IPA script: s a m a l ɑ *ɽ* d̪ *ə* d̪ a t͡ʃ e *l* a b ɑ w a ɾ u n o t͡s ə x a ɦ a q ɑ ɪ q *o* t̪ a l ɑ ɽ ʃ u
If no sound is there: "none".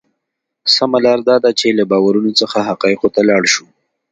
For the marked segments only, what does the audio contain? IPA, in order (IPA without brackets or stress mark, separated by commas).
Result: ɾ, ɑ, l, o